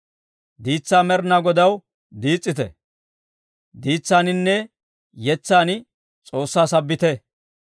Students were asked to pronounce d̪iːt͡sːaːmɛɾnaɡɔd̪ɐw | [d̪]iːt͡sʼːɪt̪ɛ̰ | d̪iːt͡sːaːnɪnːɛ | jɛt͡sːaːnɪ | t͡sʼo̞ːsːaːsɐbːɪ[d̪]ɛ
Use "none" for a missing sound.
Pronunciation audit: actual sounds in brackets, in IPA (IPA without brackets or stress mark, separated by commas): d̪, t̪